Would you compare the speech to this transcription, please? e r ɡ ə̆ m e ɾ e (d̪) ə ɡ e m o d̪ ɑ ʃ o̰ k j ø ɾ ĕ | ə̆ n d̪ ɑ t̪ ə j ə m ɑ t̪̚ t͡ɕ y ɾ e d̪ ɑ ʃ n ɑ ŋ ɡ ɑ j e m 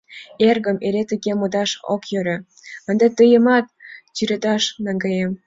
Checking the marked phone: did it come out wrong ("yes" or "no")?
yes